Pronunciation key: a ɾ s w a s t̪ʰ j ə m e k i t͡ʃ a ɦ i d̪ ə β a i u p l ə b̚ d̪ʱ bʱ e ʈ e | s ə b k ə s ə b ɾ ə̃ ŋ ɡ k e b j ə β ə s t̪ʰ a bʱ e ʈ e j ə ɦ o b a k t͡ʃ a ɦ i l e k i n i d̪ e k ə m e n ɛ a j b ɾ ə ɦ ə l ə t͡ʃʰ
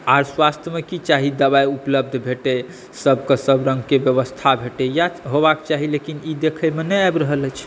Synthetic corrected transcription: a ɾ s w a s t̪ʰ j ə m e k i t͡ʃ a ɦ i d̪ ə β a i u p l ə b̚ d̪ʱ bʱ e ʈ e | s ə b k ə s ə b ɾ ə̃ ŋ ɡ k e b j ə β ə s t̪ʰ a bʱ e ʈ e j a ɦ o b a k t͡ʃ a ɦ i l e k i n i d̪ e kʰ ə m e n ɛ a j b ɾ ə ɦ ə l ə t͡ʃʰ